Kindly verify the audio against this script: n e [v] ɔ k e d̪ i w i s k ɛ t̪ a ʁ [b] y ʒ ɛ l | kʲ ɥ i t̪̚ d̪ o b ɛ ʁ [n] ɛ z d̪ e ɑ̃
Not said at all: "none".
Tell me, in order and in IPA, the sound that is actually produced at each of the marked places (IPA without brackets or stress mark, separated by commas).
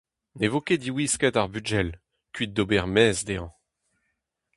v, b, m